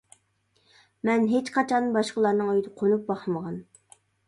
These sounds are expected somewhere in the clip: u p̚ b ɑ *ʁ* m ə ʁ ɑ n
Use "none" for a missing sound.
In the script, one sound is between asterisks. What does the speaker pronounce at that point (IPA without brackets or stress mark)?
χ